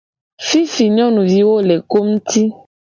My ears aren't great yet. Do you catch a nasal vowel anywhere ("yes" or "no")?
yes